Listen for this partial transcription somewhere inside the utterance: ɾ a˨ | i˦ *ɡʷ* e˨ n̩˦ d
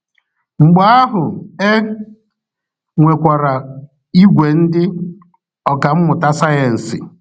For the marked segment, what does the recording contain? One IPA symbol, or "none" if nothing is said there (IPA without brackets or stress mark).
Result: ɡʷ